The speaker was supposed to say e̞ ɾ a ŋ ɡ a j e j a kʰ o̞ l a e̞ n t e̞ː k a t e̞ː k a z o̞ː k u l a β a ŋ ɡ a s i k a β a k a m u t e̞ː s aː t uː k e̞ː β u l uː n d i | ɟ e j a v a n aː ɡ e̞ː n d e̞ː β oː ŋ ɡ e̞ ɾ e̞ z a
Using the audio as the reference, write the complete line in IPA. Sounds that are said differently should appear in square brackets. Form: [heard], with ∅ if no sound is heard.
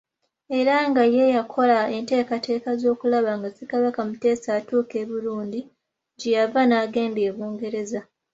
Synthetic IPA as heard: e̞ ɾ a ŋ ɡ a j e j a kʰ o̞ l a e̞ n t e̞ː k a t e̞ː k a z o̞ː k u l a β a ŋ ɡ a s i k a β a k a m u t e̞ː s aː t uː k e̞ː β u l uː n d i | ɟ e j a v a n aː ɡ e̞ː n d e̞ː β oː ŋ ɡ e̞ ɾ e̞ z a